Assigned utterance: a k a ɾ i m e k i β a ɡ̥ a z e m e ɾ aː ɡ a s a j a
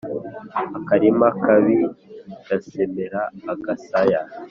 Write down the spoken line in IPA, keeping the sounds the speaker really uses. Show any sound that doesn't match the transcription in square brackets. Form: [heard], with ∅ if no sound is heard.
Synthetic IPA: a k a ɾ i m [a] k [a] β [i] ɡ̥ a [s] e m e ɾ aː ɡ a s a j a

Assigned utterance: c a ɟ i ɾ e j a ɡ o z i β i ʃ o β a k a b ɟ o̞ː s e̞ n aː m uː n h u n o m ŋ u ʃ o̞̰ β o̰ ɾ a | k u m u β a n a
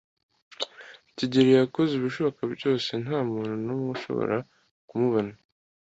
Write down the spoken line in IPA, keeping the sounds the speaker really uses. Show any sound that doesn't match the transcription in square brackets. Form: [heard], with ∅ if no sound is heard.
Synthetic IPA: c [i] ɟ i ɾ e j a [k] o z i β i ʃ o β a k a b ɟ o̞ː s e̞ n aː m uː n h u n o m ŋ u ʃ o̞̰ β o̰ ɾ a | k u m u β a n a

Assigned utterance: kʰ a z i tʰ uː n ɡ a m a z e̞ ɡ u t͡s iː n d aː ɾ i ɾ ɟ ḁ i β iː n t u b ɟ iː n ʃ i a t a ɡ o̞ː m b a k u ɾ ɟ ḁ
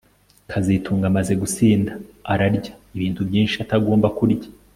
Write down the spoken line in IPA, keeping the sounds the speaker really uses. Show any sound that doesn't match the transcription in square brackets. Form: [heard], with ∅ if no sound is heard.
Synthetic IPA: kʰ a z i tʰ uː [ŋ] ɡ a m a z e̞ ɡ u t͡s iː n d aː ɾ [a] ɾ ɟ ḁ i β iː n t u b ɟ iː n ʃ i a t a ɡ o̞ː m b a k u ɾ ɟ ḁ

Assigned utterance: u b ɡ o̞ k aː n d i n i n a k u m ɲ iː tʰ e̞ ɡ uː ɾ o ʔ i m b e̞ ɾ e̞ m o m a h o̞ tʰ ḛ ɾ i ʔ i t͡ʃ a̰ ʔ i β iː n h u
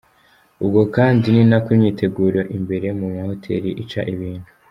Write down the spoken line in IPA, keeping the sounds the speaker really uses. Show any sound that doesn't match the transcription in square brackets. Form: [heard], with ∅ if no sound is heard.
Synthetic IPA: u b ɡ o̞ k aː n d i n i n a k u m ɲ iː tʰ e̞ ɡ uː ɾ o ʔ i m b e̞ ɾ e̞ m [u] m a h o̞ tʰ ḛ ɾ i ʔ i t͡ʃ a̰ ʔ i β iː n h u

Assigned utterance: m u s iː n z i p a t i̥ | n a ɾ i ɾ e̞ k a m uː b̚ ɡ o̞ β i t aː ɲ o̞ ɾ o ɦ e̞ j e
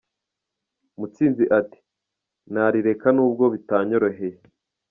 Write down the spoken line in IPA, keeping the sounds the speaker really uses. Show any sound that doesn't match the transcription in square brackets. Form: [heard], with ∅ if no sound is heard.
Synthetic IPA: m u [t͡s] iː n z i [ʔ] a t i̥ | n a ɾ i ɾ e̞ k a [n] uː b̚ ɡ o̞ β i t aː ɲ o̞ ɾ o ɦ e̞ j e

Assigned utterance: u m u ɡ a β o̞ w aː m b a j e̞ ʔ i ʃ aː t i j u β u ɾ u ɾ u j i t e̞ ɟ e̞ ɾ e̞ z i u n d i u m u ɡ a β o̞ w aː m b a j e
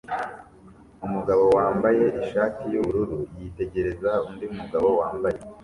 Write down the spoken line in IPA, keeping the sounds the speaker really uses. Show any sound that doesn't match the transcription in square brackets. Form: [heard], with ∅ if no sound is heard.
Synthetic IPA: u m u ɡ a β o̞ w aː m b a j e̞ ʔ i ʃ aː t i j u β u ɾ u ɾ u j i t e̞ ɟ e̞ ɾ e̞ z [a] u n d i u m u ɡ a β o̞ w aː m b a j e

